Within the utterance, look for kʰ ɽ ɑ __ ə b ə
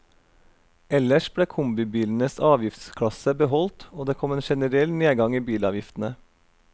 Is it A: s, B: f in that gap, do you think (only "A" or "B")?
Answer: A